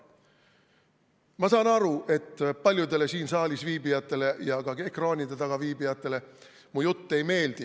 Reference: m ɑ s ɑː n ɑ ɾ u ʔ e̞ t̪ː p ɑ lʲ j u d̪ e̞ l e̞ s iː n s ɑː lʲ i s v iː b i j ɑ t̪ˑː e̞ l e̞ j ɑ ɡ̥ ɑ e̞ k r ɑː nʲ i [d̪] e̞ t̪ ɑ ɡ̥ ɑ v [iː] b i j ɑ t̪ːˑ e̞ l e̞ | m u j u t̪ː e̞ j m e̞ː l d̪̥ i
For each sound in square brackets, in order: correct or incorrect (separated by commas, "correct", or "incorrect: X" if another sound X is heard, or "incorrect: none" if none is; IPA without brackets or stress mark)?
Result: correct, correct